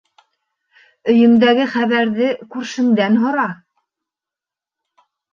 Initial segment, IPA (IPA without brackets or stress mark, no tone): ɵ̆